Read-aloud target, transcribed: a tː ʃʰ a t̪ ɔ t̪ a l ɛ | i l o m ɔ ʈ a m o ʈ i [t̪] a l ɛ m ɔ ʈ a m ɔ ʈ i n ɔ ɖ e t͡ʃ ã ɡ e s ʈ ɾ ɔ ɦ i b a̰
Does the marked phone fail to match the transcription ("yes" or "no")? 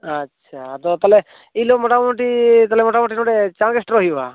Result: no